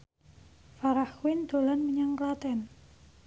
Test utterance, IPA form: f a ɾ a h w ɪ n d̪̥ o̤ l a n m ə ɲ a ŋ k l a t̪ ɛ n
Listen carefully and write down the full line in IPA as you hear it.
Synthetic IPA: f a ɾ a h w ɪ n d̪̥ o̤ l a n m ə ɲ a ŋ k l a t̪ ɛ n